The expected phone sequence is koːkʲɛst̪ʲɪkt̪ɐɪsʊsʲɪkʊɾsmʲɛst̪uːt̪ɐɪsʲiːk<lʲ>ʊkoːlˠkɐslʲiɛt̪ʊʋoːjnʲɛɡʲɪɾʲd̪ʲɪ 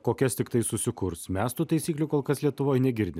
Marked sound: correct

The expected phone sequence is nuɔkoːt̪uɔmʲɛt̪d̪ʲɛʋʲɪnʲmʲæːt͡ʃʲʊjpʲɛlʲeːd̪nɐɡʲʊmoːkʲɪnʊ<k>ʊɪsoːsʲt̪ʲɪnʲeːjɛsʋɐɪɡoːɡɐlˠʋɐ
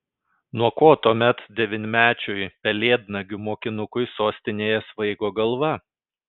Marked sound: correct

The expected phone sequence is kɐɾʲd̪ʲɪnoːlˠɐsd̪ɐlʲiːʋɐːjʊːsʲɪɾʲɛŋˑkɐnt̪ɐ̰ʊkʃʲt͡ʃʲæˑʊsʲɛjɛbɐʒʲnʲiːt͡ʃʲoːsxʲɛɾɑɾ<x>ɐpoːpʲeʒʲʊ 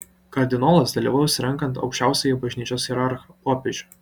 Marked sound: correct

